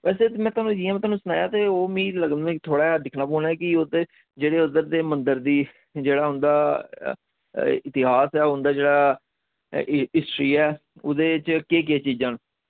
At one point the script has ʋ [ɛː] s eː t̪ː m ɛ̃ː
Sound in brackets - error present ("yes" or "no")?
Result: no